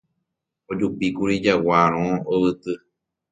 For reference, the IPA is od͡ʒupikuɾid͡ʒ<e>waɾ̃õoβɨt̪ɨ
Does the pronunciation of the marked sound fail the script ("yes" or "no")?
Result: yes